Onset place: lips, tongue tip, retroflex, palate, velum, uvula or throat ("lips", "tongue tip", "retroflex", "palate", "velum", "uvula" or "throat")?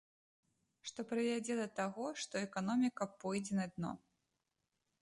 retroflex